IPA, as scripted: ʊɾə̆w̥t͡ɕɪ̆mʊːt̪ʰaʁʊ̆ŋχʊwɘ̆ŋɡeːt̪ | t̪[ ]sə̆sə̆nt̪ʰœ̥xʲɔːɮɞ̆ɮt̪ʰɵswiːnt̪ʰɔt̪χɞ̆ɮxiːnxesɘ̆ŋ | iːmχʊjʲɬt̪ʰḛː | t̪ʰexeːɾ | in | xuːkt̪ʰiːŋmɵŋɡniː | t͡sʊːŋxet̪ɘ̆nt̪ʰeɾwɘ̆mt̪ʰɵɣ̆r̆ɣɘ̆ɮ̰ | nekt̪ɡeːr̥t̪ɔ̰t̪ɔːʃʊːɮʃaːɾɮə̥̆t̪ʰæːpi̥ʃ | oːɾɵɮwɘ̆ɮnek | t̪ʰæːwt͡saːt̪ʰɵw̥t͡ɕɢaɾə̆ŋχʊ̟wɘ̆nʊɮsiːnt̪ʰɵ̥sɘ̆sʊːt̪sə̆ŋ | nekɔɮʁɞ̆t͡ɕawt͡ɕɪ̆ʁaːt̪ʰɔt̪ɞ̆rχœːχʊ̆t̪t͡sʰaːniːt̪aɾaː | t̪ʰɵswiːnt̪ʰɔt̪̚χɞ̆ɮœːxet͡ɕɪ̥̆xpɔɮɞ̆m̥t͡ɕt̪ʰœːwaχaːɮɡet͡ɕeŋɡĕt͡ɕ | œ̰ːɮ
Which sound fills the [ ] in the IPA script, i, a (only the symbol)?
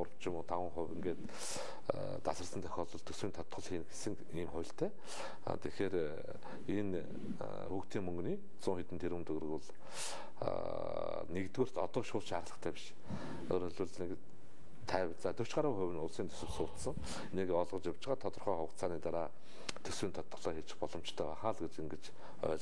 a